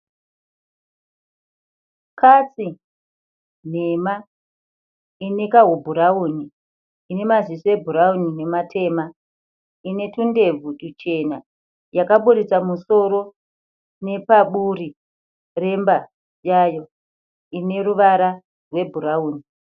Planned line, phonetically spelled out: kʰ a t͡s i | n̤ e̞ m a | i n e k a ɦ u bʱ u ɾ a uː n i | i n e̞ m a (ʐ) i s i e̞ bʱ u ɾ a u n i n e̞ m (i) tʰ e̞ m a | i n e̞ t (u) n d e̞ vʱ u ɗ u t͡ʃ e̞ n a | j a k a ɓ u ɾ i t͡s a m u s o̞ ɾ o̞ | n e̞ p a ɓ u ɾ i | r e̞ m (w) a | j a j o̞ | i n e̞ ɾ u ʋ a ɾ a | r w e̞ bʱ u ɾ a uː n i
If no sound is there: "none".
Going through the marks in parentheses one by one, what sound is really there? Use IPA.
z, a, u, b

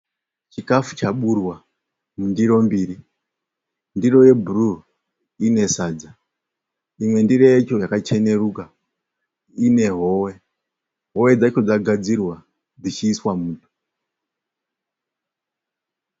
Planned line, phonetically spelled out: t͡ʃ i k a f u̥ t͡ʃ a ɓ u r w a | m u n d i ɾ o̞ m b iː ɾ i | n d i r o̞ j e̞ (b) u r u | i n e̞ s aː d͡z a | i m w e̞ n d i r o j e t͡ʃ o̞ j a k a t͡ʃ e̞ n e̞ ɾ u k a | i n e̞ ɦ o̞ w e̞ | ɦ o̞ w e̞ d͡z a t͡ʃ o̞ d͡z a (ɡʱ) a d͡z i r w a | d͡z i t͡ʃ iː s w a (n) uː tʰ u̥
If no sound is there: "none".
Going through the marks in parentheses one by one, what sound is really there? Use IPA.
b, ɡʱ, m

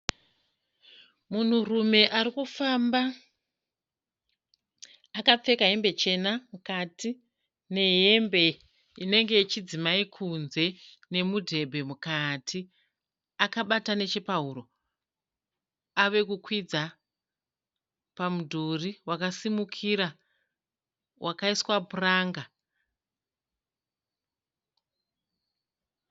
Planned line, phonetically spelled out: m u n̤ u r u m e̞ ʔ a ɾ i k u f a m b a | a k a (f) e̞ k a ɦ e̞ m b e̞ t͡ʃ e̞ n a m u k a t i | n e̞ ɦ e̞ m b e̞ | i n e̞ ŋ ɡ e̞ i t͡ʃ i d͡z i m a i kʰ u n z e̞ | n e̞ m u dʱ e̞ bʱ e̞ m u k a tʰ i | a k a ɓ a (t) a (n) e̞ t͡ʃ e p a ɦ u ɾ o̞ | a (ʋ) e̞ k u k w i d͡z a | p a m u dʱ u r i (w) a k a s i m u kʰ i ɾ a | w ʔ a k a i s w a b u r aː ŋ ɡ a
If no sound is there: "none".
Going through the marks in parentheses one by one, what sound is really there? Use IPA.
p͡f, t, n, ʋ, w

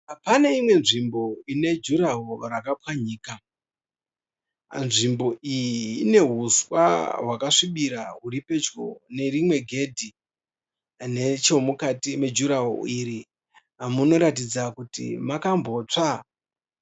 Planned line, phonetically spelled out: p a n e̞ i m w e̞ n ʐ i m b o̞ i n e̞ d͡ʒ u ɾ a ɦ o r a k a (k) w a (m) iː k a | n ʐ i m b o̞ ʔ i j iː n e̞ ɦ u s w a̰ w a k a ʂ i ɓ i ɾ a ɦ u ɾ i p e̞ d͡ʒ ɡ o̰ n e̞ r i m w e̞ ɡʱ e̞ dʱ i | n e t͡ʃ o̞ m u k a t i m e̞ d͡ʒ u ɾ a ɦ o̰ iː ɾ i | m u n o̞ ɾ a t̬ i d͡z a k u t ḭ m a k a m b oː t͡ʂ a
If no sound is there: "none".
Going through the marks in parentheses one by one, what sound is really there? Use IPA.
p, ɲ

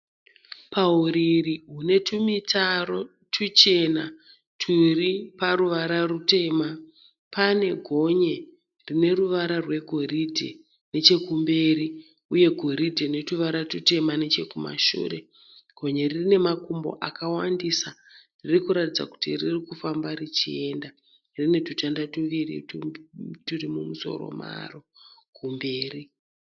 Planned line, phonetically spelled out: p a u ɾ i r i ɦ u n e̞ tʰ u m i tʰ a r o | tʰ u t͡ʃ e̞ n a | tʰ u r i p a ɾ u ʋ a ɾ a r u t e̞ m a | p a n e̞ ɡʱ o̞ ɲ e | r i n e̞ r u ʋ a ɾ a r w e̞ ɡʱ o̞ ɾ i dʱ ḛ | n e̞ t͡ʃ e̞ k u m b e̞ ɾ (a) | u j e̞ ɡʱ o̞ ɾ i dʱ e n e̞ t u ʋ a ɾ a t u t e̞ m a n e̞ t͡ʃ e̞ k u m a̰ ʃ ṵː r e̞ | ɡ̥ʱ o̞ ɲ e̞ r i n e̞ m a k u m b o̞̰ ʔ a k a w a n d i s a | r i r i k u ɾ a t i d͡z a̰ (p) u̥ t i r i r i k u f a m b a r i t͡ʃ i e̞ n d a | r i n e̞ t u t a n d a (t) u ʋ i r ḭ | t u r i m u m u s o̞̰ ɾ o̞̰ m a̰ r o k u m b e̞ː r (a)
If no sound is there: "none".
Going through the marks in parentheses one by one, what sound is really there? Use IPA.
i, k, t, i

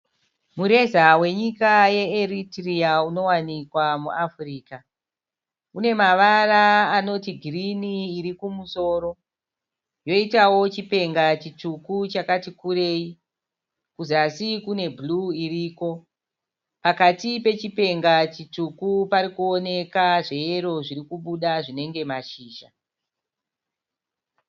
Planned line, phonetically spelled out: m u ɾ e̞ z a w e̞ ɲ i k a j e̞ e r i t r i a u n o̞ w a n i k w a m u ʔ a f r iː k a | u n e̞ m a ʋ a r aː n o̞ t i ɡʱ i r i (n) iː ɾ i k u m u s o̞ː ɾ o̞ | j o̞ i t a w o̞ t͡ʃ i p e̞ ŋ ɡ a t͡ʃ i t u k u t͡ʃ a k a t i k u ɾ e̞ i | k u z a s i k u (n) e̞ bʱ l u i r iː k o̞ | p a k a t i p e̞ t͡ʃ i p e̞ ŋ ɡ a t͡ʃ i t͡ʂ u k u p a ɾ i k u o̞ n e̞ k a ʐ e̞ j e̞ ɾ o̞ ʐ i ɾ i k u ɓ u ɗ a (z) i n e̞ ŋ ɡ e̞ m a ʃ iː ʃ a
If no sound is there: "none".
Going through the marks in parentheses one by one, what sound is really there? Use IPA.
n, n, ʐ

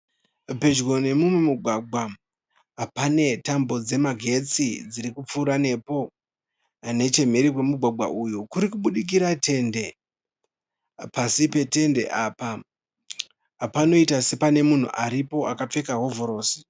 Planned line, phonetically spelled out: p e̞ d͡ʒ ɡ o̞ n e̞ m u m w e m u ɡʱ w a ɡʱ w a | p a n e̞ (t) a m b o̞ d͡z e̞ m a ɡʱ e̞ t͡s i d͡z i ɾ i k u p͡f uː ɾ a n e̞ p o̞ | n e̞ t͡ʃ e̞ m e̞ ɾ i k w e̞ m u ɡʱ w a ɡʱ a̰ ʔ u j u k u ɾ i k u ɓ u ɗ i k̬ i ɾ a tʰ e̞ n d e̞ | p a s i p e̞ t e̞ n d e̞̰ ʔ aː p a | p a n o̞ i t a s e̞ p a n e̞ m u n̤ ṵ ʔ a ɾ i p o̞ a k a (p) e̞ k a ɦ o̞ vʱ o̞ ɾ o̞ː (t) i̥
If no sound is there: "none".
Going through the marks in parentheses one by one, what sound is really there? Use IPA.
t, p͡f, s

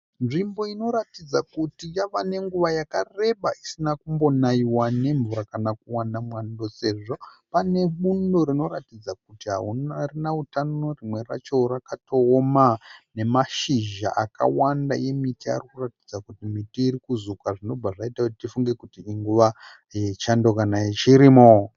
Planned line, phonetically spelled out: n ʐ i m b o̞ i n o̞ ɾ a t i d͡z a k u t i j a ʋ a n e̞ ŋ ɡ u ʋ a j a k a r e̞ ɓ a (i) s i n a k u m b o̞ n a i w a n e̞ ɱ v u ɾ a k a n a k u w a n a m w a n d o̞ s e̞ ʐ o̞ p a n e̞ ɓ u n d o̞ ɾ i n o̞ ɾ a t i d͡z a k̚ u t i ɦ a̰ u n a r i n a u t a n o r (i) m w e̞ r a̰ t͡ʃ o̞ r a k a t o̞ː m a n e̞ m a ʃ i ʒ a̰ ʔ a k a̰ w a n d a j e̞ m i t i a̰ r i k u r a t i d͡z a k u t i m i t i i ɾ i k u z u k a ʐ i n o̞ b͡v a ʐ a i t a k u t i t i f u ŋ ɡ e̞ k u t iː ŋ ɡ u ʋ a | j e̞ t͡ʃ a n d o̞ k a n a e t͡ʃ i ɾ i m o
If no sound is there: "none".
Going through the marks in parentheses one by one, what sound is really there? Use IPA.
i, i

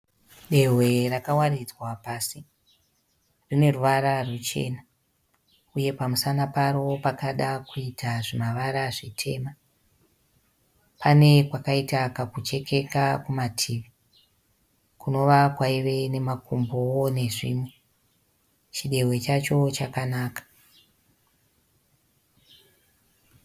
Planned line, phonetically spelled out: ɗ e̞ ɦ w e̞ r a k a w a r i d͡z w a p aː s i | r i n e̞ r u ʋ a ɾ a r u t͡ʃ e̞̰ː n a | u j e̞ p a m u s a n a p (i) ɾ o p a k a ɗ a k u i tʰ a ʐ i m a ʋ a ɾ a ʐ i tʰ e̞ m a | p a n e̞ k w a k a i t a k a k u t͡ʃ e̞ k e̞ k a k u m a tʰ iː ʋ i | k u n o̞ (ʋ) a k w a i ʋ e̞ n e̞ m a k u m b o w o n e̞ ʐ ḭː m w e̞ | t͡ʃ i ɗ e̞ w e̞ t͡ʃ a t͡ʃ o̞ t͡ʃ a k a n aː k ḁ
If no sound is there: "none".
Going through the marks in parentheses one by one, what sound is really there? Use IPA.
a, ʋ

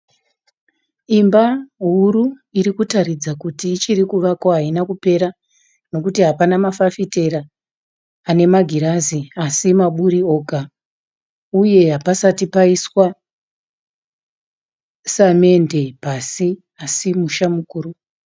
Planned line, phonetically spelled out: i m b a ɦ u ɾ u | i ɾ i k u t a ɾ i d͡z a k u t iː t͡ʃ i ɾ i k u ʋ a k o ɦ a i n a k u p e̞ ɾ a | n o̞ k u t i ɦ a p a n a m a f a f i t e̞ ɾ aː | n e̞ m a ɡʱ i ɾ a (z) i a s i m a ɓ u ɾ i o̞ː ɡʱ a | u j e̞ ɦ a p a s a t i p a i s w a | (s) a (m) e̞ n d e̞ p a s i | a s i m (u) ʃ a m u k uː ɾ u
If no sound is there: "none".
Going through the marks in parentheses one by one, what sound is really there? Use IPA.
z, s, m, u

